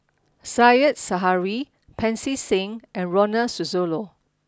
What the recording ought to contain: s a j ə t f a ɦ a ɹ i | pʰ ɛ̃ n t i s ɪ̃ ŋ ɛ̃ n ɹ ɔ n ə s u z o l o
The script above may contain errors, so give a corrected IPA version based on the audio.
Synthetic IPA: s a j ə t s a ɦ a ɹ i | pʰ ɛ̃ n s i s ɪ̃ ŋ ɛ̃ n ɹ ɔ n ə s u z o l o